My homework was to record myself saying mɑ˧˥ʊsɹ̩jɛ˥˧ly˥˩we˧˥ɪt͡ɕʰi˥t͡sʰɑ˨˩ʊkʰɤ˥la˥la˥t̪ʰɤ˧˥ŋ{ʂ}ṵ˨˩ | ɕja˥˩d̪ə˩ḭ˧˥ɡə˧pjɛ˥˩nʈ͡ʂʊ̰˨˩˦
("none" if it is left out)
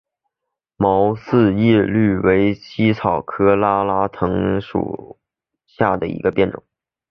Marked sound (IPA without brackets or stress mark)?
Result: ʂ